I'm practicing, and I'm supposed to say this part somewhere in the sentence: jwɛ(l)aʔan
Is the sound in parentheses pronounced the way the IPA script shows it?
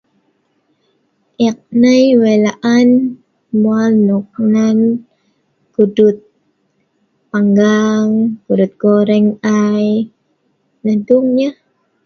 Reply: yes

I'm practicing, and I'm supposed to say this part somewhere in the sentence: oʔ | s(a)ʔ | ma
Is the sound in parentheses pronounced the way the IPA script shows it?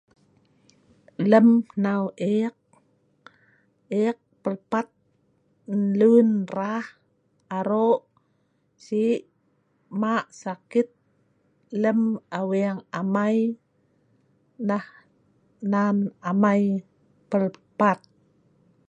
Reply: no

